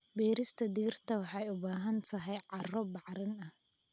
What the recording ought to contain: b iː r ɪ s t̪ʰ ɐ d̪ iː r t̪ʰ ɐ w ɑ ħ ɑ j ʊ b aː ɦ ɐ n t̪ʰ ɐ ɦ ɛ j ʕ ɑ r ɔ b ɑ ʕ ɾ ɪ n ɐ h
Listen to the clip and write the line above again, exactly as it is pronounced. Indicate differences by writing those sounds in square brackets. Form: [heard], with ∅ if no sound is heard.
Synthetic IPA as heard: b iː [ɾ] ɪ s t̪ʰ ɐ d̪ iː r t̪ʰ ɐ w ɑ ħ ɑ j ʊ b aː ɦ ɐ n t̪ʰ ɐ ɦ ɛ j ʕ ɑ r ɔ b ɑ ʕ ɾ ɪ n ɐ h

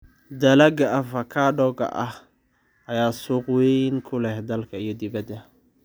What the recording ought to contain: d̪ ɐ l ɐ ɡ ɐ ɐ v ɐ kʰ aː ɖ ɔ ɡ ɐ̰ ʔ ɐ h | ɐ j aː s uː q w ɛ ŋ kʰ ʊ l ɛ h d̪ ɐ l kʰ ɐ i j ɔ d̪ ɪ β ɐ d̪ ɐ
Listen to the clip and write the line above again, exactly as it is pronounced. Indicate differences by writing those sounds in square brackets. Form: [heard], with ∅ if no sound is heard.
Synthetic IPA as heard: d̪ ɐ l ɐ ɡ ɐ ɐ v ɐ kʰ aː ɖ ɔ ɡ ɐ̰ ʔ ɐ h | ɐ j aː s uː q w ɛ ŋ kʰ ʊ l ɛ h d̪ ɐ l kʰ ɐ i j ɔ d̪ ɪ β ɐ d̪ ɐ

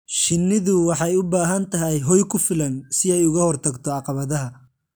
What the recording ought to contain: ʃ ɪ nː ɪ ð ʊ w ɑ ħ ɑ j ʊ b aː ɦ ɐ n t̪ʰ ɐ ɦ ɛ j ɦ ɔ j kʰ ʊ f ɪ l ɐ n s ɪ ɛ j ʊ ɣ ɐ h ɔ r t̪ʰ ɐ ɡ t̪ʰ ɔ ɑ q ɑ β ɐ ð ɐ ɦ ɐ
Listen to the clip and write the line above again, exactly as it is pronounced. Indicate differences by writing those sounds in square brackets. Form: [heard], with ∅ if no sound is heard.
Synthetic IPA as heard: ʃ ɪ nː ɪ ð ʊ w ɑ ħ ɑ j ʊ b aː ɦ ɐ n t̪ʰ ɐ ɦ ɛ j ɦ ɔ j kʰ ʊ f ɪ l ɐ n s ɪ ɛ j ʊ ɣ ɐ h ɔ r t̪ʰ ɐ ɡ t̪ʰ ɔ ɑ q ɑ β ɐ ð ɐ ɦ ɐ

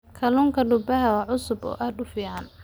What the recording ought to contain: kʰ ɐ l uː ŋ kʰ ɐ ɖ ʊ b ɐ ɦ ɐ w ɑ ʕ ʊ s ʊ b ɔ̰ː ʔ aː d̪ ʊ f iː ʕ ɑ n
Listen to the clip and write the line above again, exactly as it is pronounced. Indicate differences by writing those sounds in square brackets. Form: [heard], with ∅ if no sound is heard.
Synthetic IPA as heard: kʰ ɐ l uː ŋ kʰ ɐ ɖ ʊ b ɐ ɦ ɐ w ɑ ʕ ʊ s ʊ b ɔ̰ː ʔ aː d̪ ʊ f iː ʕ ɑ n

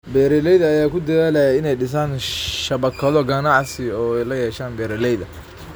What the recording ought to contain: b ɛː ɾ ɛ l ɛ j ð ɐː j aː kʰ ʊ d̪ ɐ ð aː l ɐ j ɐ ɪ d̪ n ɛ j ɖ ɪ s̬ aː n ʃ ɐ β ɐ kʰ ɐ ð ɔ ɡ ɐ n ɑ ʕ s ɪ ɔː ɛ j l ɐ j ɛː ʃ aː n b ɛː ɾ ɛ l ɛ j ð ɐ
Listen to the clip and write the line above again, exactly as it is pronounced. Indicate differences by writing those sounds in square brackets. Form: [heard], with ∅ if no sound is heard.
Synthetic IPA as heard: b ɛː ɾ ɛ l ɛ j ð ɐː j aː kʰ ʊ d̪ ɐ ð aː l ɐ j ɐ ɪ [∅] n ɛ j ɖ ɪ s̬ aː n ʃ ɐ β ɐ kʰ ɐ ð ɔ ɡ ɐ n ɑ ʕ s ɪ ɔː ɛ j l ɐ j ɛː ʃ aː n b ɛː ɾ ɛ l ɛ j ð ɐ

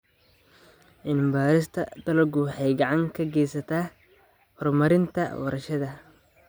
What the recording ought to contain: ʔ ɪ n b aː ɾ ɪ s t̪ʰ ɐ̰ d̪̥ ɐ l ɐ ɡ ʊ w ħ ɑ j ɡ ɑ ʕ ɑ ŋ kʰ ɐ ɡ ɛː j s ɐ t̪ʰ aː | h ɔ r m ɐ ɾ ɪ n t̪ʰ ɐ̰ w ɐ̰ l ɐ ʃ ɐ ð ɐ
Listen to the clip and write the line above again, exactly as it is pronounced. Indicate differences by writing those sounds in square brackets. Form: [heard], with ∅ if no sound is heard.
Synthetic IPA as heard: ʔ ɪ n b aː ɾ ɪ s t̪ʰ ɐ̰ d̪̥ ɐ l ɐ ɡ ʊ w ħ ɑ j ɡ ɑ ʕ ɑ ŋ kʰ ɐ ɡ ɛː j s ɐ t̪ʰ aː | h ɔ r m ɐ ɾ ɪ n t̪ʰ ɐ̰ w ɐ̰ [ɾ] ɐ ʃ ɐ ð ɐ

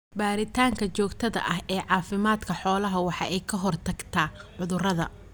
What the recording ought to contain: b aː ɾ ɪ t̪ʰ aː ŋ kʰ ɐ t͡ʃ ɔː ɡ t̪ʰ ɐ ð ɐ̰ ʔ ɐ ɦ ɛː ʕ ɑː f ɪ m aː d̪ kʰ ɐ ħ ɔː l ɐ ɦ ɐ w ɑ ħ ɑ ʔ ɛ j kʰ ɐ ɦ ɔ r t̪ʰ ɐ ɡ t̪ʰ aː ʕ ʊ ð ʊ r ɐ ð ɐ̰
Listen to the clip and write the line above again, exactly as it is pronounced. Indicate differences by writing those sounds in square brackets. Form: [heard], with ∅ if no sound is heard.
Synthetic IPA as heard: b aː ɾ ɪ t̪ʰ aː ŋ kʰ ɐ t͡ʃ ɔː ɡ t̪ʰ ɐ ð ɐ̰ ʔ ɐ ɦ ɛː ʕ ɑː f ɪ m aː d̪ kʰ ɐ ħ ɔː l ɐ ɦ ɐ w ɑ ħ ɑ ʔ ɛ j kʰ ɐ ɦ ɔ r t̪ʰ ɐ ɡ t̪ʰ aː ʕ ʊ ð ʊ r ɐ ð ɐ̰

